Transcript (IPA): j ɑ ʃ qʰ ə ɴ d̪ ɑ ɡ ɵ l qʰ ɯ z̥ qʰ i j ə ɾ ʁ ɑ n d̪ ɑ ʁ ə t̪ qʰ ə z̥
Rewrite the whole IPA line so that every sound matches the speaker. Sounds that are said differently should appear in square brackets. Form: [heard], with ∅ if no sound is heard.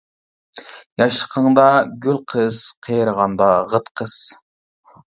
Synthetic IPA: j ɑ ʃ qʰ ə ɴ d̪ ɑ ɡ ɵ l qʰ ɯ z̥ qʰ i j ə ɾ ʁ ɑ n d̪ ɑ ʁ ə t̪ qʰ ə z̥